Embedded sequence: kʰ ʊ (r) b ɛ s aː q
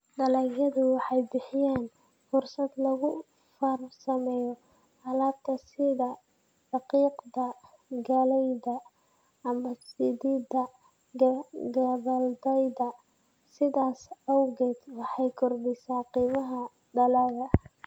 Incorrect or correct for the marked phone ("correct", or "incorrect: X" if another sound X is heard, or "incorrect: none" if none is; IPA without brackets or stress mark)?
correct